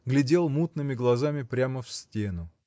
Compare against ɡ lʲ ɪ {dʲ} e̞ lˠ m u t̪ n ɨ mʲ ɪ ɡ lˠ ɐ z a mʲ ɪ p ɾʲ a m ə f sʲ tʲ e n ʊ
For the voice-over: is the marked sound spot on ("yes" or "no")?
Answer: yes